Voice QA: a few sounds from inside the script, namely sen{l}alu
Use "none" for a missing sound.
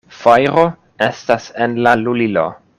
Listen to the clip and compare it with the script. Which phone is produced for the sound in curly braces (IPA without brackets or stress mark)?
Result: l